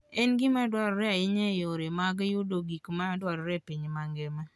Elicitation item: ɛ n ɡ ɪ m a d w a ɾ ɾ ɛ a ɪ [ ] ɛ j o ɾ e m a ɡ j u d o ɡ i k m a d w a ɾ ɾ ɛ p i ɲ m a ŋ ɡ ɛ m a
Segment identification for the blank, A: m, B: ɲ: B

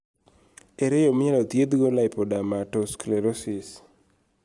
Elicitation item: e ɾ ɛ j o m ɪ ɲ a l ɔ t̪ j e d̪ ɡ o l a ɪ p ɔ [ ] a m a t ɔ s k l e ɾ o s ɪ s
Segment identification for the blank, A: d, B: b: A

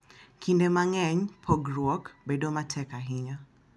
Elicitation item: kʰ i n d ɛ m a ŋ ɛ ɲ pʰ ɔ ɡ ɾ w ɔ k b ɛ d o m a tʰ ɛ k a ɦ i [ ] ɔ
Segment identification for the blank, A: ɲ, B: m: A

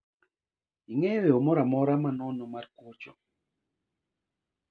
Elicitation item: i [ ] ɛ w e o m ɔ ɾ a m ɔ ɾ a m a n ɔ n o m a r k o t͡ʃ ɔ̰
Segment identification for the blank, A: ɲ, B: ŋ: B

